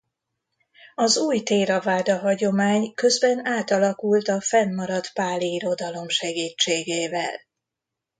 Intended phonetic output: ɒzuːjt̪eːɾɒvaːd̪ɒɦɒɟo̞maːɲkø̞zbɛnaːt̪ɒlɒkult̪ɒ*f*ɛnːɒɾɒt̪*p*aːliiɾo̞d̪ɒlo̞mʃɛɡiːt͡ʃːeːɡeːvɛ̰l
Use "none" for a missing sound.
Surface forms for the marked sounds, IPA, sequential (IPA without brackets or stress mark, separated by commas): f, p